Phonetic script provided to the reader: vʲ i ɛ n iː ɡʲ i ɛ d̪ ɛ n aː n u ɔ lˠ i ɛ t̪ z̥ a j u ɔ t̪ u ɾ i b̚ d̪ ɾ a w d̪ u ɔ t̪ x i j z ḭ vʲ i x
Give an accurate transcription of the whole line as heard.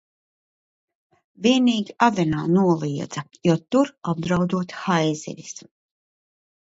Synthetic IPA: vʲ i ɛ n iː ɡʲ i a d̪ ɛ n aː n u ɔ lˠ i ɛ d̪ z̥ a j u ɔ t̪ u ɾ a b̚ d̪ ɾ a w d̪ u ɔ t̪ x a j z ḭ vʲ i s